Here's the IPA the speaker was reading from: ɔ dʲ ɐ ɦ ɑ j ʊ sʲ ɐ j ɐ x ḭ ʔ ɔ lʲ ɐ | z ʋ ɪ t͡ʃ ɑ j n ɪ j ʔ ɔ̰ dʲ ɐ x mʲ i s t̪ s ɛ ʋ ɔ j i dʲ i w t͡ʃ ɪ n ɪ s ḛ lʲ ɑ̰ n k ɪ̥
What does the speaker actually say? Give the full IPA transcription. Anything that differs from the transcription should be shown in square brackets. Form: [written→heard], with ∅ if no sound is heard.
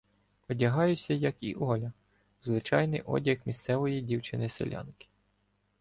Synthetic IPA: ɔ dʲ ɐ ɦ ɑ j ʊ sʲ ɐ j ɐ [x→k] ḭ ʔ ɔ lʲ ɐ | z ʋ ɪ t͡ʃ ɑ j n ɪ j ʔ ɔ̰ dʲ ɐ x mʲ i s t̪ s ɛ ʋ ɔ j i dʲ i w t͡ʃ ɪ n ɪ s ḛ lʲ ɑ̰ n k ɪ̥